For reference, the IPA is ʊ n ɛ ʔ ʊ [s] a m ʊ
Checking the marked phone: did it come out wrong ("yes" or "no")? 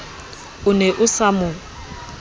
no